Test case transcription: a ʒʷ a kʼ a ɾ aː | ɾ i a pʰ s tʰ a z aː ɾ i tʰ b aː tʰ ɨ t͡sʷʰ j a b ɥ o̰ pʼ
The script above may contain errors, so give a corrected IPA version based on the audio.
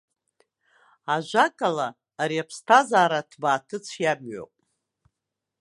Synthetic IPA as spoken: a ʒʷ a kʼ a l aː | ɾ i a pʰ s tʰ a z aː ɾ a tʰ b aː tʰ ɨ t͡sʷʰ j a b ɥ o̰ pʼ

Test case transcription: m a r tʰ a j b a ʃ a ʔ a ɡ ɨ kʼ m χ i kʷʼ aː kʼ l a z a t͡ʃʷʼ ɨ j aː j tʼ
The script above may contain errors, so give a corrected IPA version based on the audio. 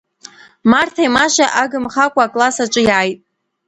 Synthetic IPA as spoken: m a r tʰ a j m a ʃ a ʔ a ɡ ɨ m χ a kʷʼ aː kʼ l a s a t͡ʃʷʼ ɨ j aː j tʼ

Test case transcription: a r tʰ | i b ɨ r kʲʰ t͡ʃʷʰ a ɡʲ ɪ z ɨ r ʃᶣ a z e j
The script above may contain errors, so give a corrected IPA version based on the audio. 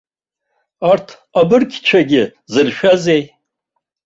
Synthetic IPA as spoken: a r tʰ | a b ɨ r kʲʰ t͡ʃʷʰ a ɡʲ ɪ z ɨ r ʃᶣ a z e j

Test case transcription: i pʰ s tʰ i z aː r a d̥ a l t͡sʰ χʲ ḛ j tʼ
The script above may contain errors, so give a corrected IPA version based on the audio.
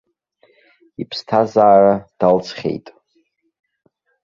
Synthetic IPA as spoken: i pʰ s tʰ a z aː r a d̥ a l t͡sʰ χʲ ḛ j tʼ

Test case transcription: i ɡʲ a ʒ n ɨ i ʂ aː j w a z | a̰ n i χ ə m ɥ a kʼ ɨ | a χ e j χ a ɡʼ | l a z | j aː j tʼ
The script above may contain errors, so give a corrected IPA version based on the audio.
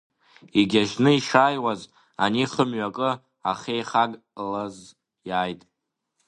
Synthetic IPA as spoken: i ɡʲ a ʒ n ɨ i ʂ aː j w a z | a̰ n i χ ə m ɥ a kʼ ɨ | a χ e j χ a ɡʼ | l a z | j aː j tʼ

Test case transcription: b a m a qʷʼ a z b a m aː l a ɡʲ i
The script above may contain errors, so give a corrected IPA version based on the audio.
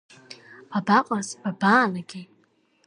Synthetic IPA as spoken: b a b a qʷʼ a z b a b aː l a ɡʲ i

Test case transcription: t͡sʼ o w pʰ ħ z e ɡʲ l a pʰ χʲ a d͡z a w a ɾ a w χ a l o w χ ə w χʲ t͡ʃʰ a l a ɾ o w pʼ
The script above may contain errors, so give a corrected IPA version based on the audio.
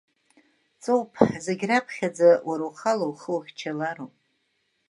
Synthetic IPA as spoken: t͡sʼ o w pʰ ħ z e ɡʲ r a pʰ χʲ a d͡z a w a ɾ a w χ a l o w χ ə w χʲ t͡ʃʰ a l a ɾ o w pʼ

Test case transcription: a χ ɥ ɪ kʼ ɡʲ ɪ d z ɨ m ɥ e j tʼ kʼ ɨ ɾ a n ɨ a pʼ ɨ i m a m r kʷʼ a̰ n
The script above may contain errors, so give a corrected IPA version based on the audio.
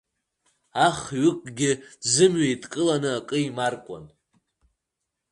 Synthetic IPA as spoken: a χ ɥ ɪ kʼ ɡʲ ɪ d z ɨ m ɥ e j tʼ kʼ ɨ l a n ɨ a kʼ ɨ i m a r kʷʼ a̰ n

